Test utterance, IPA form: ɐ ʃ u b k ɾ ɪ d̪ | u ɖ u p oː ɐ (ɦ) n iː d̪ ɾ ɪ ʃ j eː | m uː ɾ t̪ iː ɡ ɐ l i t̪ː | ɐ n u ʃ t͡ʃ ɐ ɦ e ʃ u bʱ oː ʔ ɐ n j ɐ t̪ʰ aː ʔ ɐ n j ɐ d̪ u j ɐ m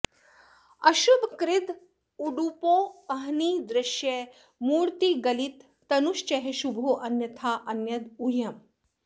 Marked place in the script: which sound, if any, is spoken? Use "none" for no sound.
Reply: ɦ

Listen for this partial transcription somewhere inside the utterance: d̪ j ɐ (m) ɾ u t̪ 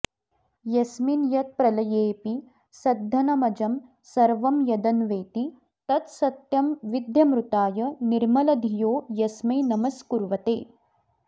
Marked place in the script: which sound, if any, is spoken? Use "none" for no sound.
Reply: m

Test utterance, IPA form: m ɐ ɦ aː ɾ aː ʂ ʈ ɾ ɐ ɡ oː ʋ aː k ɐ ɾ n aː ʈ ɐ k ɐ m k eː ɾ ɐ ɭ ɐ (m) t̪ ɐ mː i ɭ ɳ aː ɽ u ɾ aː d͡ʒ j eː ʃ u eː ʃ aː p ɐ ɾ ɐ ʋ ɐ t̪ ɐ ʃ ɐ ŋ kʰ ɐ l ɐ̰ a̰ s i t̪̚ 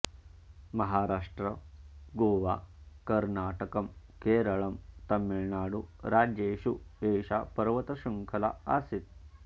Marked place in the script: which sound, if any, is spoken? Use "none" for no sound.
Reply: m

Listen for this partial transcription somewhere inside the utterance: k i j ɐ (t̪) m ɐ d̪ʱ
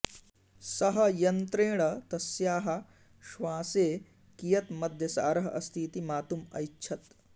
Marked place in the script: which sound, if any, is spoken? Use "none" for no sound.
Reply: t̪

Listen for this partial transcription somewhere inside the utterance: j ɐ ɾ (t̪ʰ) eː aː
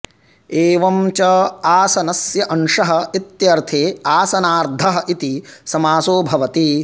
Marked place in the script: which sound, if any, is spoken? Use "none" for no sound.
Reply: t̪ʰ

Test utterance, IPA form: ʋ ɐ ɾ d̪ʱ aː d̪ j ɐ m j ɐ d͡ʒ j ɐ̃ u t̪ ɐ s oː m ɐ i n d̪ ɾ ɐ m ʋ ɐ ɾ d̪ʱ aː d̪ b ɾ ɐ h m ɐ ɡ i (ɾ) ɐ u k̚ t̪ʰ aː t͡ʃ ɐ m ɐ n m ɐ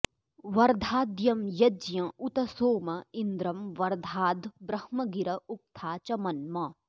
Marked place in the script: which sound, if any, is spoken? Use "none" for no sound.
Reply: ɾ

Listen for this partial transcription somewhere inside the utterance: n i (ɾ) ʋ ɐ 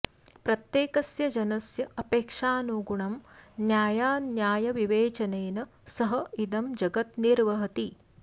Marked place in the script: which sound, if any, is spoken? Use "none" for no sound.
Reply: ɾ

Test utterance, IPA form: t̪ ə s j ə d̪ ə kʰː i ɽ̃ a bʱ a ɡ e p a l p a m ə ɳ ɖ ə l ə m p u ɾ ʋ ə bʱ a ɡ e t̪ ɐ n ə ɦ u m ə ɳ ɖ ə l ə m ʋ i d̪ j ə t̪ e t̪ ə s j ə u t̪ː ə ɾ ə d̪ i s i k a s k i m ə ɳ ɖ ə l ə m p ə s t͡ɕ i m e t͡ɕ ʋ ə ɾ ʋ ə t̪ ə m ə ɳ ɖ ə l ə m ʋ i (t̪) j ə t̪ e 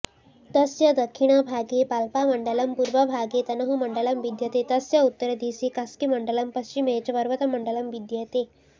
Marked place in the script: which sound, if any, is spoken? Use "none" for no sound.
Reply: d̪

